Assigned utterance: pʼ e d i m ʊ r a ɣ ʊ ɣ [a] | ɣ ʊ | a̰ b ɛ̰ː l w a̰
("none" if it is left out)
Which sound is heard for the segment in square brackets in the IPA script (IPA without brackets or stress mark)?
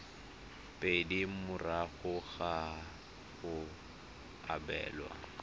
a